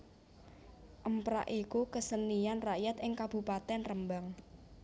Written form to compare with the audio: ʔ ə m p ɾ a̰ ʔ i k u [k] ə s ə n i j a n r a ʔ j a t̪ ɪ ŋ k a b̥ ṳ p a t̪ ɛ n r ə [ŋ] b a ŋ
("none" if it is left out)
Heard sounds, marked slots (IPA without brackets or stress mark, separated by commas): k, m